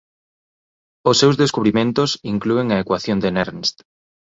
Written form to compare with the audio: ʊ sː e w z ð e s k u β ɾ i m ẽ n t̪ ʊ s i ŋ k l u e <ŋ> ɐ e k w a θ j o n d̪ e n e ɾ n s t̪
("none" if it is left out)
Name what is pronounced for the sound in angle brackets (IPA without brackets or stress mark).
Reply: ŋ